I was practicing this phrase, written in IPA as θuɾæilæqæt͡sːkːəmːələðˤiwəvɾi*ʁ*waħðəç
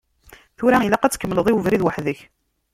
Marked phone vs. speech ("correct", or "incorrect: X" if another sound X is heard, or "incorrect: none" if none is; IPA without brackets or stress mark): incorrect: ð